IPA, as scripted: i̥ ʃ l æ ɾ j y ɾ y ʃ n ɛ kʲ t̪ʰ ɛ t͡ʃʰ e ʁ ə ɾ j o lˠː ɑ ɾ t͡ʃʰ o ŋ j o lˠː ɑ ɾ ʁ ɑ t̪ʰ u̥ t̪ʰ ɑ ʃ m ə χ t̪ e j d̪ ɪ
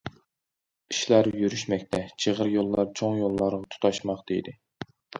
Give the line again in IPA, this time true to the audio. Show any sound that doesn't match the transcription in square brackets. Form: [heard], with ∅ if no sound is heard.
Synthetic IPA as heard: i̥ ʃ l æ ɾ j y ɾ y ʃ [m] ɛ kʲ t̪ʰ ɛ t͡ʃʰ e ʁ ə ɾ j o lˠː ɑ ɾ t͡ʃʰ o ŋ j o lˠː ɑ ɾ ʁ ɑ t̪ʰ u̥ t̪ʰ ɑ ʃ m [ɑ] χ [d̪] e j d̪ ɪ